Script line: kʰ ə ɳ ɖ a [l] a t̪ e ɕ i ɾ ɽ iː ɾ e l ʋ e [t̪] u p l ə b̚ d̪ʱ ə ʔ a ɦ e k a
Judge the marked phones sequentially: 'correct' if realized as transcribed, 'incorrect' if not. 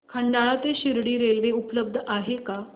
incorrect: ɭ, incorrect: none

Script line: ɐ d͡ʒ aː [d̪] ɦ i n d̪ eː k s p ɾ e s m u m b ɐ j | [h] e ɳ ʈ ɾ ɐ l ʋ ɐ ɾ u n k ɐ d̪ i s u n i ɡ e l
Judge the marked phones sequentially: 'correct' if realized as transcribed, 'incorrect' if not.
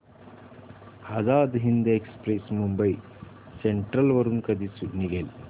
correct, incorrect: s

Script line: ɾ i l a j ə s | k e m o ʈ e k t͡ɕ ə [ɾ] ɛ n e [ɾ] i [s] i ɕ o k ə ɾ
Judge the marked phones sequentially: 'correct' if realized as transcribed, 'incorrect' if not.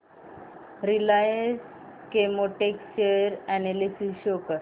correct, incorrect: l, correct

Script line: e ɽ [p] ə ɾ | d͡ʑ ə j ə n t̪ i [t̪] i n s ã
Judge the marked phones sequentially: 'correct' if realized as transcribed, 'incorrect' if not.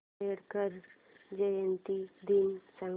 incorrect: k, incorrect: d̪

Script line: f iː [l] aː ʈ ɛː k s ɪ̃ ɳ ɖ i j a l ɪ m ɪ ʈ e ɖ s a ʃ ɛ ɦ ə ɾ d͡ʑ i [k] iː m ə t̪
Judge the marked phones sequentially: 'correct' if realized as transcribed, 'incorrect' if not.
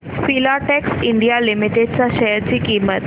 correct, correct

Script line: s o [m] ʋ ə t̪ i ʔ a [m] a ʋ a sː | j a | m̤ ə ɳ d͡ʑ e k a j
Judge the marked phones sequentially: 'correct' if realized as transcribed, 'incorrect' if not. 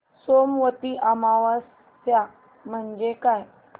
correct, correct

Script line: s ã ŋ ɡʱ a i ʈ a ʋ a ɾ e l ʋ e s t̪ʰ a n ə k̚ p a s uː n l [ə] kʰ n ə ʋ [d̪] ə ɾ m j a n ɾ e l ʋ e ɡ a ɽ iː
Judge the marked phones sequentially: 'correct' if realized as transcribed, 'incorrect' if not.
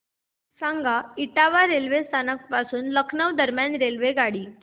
correct, correct

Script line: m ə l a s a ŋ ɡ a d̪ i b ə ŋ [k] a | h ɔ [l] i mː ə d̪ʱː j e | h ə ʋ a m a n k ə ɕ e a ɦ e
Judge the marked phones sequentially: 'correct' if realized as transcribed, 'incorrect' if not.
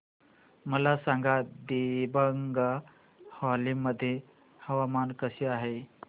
incorrect: ɡ, correct

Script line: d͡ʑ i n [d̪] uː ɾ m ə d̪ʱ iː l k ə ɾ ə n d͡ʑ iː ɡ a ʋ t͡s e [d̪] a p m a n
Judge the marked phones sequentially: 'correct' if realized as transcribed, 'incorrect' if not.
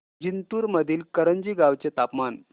incorrect: t̪, incorrect: t̪

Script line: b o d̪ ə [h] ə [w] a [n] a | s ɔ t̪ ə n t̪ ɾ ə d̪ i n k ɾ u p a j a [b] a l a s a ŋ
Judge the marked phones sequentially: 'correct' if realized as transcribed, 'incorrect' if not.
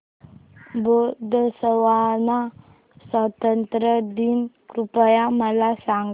incorrect: s, correct, correct, incorrect: m

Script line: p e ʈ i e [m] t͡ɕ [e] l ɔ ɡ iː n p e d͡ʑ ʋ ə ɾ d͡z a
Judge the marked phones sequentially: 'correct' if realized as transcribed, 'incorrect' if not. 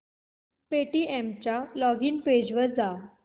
correct, incorrect: a

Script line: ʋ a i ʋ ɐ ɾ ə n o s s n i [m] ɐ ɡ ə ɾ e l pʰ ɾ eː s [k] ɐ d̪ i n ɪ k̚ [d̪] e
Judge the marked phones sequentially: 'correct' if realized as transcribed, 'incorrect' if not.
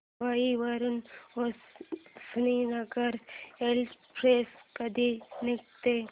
incorrect: n, correct, incorrect: t̪

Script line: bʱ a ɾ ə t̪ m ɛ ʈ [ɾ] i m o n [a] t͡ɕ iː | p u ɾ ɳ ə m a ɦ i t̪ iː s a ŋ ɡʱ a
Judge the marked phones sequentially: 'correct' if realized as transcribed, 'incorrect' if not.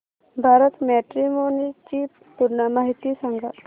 correct, incorrect: i

